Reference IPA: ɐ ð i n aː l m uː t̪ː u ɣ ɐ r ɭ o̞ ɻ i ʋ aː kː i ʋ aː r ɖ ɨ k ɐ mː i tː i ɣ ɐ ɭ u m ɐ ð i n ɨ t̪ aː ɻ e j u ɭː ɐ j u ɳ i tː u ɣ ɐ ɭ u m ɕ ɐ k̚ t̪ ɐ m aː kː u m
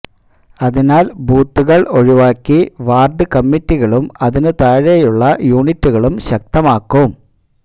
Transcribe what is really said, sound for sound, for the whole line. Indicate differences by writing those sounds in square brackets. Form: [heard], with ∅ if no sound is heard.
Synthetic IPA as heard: ɐ ð i n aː l [b] uː t̪ː u ɣ ɐ [∅] ɭ o̞ ɻ i ʋ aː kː i ʋ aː r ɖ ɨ k ɐ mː i tː i ɣ ɐ ɭ u m ɐ ð i n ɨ t̪ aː ɻ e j u ɭː ɐ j [uː] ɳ i tː u ɣ ɐ ɭ u m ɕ ɐ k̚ t̪ ɐ m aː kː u m